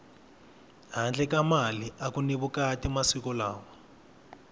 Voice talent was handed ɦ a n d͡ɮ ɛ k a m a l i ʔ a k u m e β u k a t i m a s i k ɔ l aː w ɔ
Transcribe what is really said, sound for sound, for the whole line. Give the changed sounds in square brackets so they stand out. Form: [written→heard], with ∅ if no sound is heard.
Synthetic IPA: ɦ a n d͡ɮ ɛ k a m a l i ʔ a k u [m→n] e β u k a t i m a s i k ɔ l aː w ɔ